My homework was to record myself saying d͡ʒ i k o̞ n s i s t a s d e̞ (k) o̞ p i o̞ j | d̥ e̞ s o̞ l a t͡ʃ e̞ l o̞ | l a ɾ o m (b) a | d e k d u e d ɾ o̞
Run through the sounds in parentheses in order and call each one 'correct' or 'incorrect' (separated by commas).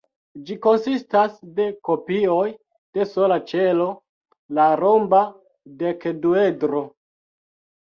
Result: correct, correct